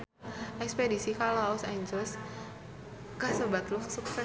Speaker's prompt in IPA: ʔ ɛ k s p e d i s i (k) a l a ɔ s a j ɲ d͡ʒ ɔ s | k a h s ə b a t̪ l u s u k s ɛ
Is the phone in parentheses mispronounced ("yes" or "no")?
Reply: no